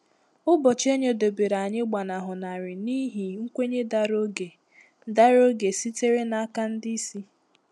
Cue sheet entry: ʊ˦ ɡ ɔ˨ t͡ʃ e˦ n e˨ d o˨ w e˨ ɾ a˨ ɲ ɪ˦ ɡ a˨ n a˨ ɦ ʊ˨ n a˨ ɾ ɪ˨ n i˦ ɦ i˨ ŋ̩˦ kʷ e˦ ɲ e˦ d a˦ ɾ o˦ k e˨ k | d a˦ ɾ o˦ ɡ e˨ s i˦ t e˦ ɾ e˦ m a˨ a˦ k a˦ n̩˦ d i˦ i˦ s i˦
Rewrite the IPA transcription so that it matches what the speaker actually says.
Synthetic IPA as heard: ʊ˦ b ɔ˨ t͡ʃ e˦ ɲ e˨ d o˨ b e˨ ɾ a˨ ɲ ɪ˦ ɡ͡b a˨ n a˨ ɦ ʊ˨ n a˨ ɾ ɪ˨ n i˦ ɦ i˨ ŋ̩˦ kʷ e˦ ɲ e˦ d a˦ ɾ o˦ ɡ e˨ | d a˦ ɾ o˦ ɡ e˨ s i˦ t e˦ ɾ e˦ n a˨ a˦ k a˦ n̩˦ d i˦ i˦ s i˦